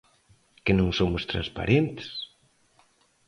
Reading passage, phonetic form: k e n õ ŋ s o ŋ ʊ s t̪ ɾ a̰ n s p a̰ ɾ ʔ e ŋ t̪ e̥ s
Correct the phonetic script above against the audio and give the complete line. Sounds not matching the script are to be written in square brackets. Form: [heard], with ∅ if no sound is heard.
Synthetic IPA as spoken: k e n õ ŋ s o [m] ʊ s t̪ ɾ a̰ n s p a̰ ɾ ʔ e [n] t̪ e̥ s